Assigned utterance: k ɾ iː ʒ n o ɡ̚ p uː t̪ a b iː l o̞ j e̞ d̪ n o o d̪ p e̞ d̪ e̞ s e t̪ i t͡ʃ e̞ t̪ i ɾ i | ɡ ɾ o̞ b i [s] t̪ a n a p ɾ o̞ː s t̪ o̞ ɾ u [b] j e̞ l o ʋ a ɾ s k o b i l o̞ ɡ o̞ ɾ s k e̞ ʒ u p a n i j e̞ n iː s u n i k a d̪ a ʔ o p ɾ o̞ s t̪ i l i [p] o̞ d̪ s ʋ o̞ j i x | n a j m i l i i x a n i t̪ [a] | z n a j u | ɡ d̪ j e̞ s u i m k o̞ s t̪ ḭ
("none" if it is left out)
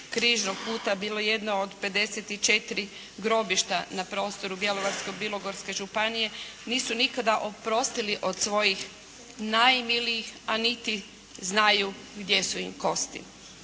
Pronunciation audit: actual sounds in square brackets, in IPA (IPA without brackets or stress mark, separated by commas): ʃ, b, ʔ, i